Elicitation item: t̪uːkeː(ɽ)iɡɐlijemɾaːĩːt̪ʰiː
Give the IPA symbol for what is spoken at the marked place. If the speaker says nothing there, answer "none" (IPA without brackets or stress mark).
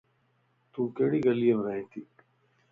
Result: ɽ